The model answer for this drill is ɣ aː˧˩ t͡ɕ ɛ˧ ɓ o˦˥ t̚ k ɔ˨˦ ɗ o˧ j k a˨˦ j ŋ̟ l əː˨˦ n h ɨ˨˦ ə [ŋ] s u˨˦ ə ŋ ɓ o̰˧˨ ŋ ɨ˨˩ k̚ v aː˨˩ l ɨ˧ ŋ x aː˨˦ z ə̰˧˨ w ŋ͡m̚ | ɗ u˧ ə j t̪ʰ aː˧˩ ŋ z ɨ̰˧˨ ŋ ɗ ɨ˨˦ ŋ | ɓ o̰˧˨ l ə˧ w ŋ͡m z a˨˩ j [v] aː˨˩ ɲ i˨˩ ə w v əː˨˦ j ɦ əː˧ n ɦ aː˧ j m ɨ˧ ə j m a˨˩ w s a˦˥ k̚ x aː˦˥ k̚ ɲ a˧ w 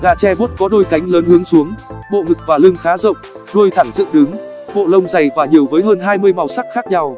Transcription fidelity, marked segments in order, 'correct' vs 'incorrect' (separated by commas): correct, correct